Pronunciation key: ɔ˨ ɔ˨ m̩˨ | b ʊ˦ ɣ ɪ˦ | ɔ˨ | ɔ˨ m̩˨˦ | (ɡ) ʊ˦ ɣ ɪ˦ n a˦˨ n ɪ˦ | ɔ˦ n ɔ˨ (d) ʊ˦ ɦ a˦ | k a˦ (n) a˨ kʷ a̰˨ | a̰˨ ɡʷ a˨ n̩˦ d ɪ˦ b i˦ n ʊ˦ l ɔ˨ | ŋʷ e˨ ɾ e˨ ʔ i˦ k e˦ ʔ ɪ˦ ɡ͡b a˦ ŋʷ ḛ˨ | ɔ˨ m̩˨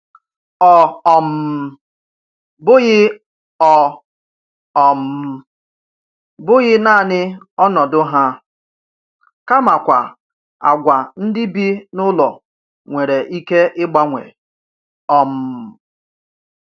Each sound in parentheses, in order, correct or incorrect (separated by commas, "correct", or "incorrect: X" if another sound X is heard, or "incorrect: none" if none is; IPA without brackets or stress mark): incorrect: b, correct, incorrect: m